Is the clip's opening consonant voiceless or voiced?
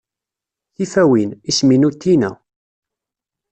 voiceless